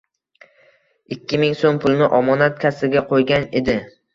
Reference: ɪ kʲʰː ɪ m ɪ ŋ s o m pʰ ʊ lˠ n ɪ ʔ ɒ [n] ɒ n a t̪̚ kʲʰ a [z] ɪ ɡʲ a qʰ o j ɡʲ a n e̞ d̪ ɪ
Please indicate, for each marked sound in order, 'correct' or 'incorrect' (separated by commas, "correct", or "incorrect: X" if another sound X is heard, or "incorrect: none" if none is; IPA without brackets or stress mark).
incorrect: m, incorrect: s